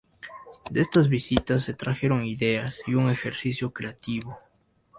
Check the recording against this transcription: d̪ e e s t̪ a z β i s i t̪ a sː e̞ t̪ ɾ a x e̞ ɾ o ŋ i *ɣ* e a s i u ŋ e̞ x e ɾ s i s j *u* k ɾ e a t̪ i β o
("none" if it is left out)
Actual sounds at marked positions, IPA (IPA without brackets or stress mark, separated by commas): ð, o